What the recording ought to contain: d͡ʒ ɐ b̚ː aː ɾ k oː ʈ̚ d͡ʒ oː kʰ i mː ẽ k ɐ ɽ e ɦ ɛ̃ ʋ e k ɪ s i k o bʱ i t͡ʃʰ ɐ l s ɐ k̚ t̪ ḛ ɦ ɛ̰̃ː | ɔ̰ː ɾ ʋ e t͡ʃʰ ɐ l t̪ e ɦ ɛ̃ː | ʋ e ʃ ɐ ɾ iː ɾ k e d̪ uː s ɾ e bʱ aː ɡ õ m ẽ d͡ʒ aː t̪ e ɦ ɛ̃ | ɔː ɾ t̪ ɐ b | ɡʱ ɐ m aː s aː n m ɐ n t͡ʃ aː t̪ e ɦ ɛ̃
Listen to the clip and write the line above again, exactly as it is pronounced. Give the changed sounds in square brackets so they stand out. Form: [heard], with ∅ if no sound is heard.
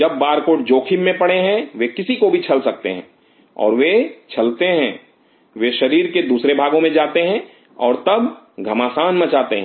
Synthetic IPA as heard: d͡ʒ ɐ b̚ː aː ɾ k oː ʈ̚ d͡ʒ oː kʰ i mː ẽ [p] ɐ ɽ e ɦ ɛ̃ ʋ e k ɪ s i k o bʱ i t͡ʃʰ ɐ l s ɐ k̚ t̪ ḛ ɦ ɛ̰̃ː | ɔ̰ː ɾ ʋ e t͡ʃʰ ɐ l t̪ e ɦ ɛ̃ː | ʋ e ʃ ɐ ɾ iː ɾ k e d̪ uː s ɾ e bʱ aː ɡ õ m ẽ d͡ʒ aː t̪ e ɦ ɛ̃ | ɔː ɾ t̪ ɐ b | ɡʱ ɐ m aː s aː n m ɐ [∅] t͡ʃ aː t̪ e ɦ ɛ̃